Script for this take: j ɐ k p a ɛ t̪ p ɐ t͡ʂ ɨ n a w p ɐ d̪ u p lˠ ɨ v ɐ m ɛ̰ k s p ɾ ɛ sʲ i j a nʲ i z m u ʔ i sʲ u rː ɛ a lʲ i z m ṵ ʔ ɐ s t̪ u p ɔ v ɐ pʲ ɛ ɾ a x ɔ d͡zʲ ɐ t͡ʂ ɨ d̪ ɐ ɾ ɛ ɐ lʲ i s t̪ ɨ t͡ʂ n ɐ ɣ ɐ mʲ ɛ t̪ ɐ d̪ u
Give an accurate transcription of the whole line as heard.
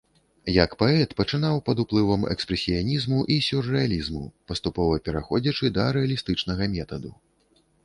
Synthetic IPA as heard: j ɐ k p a ɛ t̪ p ɐ t͡ʂ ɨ n a w p ɐ d̪ u p lˠ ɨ v ɐ m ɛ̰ k s p ɾ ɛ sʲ i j a nʲ i z m u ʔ i sʲ u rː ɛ a lʲ i z m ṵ p ɐ s t̪ u p ɔ v ɐ pʲ ɛ ɾ a x ɔ d͡zʲ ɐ t͡ʂ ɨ d̪ ɐ ɾ ɛ ɐ lʲ i s t̪ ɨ t͡ʂ n ɐ ɣ ɐ mʲ ɛ t̪ ɐ d̪ u